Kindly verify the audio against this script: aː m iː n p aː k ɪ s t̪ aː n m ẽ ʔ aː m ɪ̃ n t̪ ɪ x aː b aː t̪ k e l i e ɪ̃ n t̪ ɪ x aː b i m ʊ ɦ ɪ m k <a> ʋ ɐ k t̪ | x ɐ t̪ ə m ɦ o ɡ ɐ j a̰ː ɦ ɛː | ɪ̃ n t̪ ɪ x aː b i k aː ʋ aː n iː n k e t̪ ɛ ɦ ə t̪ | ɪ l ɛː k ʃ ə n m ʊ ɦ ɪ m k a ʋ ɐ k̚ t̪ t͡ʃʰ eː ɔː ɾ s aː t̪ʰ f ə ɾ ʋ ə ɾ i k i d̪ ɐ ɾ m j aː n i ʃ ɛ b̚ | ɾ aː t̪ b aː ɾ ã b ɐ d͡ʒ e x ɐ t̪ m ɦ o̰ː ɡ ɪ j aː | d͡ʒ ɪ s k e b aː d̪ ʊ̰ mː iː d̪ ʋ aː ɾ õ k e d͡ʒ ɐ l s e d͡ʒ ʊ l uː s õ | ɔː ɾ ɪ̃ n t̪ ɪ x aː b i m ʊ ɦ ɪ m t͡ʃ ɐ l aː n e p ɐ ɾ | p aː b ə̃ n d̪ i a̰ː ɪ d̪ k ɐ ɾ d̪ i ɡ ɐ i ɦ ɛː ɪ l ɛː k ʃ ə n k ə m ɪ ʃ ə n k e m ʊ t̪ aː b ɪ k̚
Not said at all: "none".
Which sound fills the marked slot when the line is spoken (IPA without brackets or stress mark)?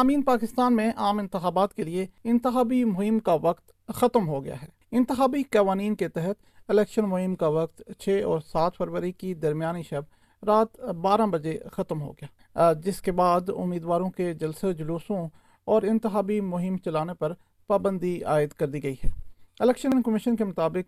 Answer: a